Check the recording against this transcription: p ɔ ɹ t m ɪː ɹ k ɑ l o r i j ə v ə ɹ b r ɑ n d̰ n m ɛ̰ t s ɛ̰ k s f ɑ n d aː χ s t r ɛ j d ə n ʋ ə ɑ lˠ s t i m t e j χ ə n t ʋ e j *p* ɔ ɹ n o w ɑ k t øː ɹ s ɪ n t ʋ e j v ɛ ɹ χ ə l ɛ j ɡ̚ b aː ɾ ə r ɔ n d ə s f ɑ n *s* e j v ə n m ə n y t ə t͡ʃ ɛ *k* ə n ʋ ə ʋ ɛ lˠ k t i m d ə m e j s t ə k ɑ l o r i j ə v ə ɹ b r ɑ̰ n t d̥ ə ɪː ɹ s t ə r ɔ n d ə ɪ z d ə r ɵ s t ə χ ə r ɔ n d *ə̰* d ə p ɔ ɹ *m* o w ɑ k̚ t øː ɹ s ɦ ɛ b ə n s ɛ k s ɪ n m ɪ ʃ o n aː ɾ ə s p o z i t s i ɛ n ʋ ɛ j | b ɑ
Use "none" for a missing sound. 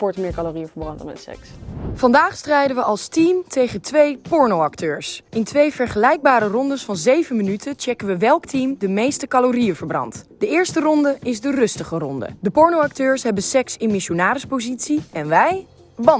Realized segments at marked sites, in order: p, z, k, ə̰, n

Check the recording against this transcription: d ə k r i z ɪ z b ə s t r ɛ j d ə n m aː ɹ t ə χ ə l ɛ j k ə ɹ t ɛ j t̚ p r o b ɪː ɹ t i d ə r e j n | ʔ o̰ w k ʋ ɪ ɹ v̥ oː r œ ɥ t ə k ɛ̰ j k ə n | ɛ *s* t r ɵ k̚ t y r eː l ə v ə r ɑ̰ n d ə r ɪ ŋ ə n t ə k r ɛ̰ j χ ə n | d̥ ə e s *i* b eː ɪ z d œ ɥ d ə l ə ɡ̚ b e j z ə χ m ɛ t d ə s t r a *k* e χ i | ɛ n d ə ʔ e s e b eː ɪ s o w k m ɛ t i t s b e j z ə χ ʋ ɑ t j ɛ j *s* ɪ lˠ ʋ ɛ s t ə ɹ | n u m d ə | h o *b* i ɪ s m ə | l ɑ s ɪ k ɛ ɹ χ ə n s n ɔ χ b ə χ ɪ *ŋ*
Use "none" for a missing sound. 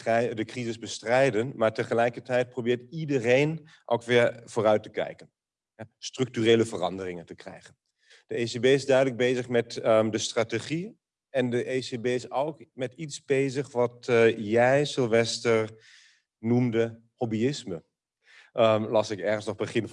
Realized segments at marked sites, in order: s, e, t, s, b, n

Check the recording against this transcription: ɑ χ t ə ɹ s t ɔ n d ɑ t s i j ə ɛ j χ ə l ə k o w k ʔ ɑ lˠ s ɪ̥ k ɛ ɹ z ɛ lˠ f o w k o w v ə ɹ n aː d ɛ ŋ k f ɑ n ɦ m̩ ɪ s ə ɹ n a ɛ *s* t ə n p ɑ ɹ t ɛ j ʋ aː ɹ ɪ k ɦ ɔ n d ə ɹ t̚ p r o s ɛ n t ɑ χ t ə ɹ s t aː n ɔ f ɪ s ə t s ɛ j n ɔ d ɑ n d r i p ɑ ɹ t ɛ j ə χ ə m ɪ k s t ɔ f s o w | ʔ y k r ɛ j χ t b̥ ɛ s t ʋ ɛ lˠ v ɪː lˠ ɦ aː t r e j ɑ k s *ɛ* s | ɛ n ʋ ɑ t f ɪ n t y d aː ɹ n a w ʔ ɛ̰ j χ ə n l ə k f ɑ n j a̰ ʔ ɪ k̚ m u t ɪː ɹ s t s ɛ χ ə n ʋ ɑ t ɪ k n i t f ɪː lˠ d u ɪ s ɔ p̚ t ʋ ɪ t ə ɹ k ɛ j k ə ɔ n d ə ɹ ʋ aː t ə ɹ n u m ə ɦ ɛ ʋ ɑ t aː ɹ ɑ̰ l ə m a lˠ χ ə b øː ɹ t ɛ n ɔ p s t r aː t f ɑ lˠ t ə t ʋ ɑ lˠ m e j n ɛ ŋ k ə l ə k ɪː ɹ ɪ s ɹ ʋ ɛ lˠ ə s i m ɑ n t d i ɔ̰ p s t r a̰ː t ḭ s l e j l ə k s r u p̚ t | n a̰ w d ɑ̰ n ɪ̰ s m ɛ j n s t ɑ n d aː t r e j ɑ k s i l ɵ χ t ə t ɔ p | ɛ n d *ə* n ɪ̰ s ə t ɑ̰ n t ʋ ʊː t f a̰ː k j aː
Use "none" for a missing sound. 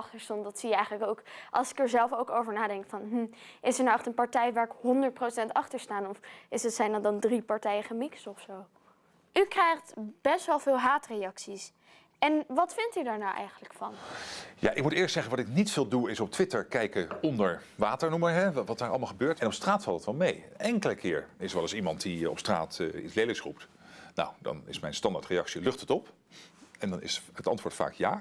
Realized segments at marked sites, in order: χ, i, ɑ

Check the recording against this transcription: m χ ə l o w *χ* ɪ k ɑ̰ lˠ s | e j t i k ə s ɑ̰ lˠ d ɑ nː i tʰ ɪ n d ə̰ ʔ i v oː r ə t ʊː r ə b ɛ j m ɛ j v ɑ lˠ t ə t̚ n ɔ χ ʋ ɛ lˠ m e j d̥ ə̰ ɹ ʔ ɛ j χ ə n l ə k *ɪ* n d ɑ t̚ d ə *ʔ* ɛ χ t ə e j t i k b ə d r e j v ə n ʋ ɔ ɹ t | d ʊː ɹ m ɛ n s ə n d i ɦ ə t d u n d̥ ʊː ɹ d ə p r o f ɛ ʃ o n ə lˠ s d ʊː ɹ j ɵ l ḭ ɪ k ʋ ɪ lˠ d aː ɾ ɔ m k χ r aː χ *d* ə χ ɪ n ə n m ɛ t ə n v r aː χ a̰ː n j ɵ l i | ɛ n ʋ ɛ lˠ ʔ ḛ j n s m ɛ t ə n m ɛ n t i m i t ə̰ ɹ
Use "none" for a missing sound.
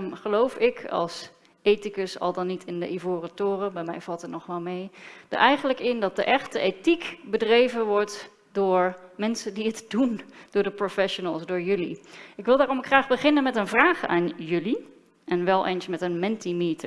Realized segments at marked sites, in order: f, ɪ, ʔ, b

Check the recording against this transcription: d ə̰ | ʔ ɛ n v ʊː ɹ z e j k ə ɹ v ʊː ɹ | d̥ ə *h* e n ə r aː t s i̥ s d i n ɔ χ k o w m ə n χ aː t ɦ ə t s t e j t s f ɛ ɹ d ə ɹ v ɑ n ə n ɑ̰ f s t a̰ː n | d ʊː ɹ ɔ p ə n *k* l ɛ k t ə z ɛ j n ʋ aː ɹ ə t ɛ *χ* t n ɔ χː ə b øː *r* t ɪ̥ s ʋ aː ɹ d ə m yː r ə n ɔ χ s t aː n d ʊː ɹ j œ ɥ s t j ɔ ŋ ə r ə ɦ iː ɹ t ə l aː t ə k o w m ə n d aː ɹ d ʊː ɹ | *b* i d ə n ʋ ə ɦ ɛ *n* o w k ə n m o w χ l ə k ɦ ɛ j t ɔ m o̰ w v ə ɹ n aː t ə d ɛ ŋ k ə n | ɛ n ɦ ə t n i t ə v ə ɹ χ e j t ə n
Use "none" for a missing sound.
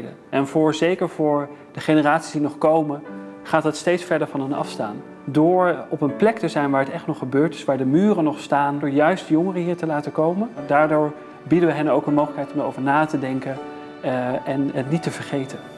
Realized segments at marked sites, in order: χ, p, χ, ɹ, b, n

